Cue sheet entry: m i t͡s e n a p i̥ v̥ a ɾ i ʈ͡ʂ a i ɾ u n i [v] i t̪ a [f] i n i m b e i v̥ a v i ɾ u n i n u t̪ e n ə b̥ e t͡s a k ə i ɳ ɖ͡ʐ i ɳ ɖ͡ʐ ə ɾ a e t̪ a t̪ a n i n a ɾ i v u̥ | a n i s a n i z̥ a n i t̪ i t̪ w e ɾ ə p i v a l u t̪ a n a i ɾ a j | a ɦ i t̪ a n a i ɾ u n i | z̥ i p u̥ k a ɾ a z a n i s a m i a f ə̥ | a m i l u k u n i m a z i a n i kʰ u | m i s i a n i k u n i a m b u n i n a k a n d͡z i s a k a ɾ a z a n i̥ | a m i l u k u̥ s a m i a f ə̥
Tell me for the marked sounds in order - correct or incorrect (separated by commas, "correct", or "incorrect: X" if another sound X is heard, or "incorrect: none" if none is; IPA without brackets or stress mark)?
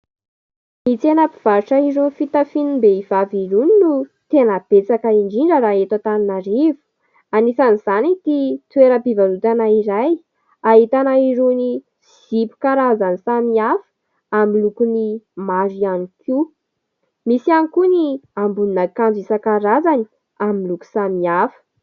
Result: incorrect: f, correct